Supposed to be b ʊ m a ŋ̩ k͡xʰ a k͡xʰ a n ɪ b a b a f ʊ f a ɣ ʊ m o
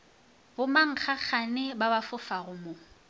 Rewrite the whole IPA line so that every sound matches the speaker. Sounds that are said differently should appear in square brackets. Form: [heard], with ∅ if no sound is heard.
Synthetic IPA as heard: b ʊ m a ŋ̩ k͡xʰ a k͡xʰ a n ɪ b a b a f ʊ f a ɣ ʊ m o